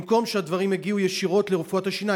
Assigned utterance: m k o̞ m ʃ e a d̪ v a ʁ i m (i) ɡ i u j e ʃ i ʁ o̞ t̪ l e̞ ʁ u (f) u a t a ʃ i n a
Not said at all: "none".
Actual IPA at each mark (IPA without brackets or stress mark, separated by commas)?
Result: e, f